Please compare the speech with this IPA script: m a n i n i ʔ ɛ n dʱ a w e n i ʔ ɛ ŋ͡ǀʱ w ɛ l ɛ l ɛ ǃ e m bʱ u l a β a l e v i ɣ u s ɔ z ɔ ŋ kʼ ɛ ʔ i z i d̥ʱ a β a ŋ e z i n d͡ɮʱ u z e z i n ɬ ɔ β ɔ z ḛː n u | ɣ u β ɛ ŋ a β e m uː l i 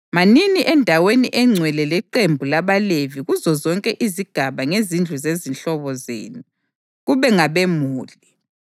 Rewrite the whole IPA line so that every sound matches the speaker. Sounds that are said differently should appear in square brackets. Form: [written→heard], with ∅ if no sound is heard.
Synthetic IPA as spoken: m a n i n i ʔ ɛ n dʱ a w e n i ʔ ɛ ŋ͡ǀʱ w ɛ l ɛ l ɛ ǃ e m bʱ u l a β a l e v i ɣ u [s→z] ɔ z ɔ ŋ kʼ ɛ ʔ i z i [d̥ʱ→ɡ̥ʱ] a β a ŋ e z i n d͡ɮʱ u z e z i n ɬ ɔ β ɔ z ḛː n u | ɣ u β ɛ ŋ a β e m uː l i